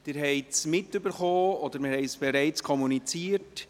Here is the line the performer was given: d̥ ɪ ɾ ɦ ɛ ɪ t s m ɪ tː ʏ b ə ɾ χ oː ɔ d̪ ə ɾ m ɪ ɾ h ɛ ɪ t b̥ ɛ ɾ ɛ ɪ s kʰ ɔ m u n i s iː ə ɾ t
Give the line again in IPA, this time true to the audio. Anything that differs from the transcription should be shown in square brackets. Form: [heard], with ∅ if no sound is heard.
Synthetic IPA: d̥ ɪ ɾ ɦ ɛ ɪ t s m ɪ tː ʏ b ə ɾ χ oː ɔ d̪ ə ɾ m ɪ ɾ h ɛ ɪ [s] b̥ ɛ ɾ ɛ ɪ [t͡s] kʰ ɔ m u n i [t͡s] iː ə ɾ t